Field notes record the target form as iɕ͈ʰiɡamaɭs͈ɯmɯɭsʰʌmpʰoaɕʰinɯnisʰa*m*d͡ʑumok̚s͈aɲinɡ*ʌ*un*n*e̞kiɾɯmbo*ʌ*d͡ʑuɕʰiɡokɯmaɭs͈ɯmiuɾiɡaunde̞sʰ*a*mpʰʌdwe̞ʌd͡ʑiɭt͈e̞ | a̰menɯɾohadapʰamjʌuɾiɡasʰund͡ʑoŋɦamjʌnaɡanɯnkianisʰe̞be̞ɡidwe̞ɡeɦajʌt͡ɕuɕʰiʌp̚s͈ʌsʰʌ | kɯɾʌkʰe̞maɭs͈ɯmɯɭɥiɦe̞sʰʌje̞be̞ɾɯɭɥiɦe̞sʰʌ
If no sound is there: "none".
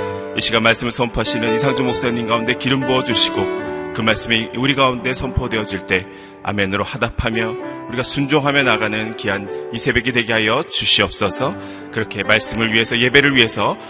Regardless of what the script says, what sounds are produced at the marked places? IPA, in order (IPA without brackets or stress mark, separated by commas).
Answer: ŋ, a, d, ʌ, ʌ